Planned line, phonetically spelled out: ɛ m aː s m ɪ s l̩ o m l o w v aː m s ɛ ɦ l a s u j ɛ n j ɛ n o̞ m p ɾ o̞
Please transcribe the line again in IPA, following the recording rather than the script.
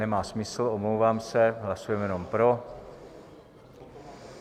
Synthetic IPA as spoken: ɛ m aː s m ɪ s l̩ o m l o w v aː m s ɛ ɦ l a s u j ɛ m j ɛ n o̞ m p ɾ o̞